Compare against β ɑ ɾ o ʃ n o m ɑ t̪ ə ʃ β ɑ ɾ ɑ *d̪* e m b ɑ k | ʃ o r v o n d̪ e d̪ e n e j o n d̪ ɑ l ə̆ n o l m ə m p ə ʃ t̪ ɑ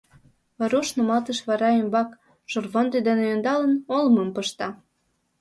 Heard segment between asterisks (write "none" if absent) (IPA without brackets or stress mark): none